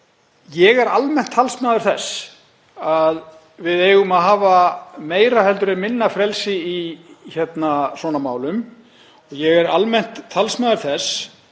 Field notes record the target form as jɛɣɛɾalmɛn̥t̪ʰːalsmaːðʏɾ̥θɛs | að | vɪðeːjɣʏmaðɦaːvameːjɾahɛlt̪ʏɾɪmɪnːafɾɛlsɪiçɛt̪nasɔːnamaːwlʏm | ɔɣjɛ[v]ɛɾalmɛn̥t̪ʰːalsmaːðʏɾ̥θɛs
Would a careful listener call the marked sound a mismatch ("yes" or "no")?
yes